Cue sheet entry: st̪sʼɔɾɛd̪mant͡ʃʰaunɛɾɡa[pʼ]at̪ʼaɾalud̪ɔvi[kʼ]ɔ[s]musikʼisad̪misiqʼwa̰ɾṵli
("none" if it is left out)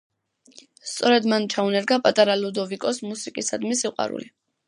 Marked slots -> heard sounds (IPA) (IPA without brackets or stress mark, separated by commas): pʼ, kʼ, s